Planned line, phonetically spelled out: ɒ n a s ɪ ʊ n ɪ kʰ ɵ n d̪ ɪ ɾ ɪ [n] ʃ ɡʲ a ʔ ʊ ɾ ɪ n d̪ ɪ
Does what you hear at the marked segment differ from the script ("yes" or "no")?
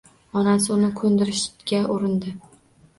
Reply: yes